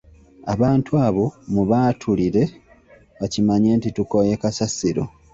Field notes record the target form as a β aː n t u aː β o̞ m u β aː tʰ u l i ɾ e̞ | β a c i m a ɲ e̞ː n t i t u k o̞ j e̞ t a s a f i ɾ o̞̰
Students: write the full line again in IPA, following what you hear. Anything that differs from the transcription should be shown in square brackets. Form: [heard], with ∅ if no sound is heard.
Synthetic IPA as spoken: a β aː n t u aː β o̞ m u β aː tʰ u l i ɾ e̞ | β a c i m a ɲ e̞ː n t i t u k o̞ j e̞ [k] a s a [s] i ɾ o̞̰